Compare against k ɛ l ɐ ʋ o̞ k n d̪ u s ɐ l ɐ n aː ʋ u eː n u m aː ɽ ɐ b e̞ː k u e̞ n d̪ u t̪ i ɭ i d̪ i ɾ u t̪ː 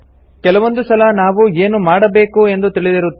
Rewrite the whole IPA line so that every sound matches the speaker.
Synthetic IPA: k ɛ l ɐ ʋ o̞ n d̪ u s ɐ l ɐ n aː ʋ u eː n u m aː ɽ ɐ b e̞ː k u e̞ n d̪ u t̪ i ɭ i d̪ i ɾ u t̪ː